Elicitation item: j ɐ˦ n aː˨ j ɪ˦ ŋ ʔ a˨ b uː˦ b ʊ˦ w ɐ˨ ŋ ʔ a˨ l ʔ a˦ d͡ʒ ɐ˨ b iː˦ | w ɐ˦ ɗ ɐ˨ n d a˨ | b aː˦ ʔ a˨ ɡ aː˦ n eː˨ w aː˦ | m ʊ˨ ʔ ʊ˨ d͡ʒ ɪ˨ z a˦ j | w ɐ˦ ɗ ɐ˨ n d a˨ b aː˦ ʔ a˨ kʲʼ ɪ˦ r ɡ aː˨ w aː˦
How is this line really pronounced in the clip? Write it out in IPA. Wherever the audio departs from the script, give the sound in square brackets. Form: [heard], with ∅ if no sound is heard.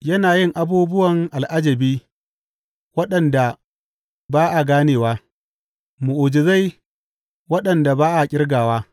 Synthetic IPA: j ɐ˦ n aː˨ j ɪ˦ ŋ ʔ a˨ b uː˦ b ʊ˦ w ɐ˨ ŋ ʔ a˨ l ʔ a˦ d͡ʒ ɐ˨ b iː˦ | w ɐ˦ ɗ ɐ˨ n d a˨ | b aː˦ ʔ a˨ ɡ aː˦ n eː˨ w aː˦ | m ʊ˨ ʔ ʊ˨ d͡ʒ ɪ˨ z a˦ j | w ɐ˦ ɗ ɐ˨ n d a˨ b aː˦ ʔ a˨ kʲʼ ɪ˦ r ɡ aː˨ w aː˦